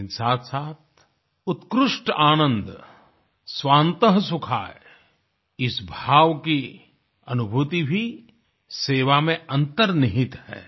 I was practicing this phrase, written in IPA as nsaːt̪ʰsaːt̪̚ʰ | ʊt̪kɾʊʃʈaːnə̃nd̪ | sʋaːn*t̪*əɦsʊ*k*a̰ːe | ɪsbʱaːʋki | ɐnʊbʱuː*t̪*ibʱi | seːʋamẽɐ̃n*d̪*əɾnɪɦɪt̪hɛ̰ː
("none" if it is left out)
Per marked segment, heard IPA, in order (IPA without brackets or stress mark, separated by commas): t̪, kʰ, t̪, t̪